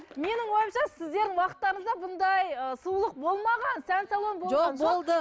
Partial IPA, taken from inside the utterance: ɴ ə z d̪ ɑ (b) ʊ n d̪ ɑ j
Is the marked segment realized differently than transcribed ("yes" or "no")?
no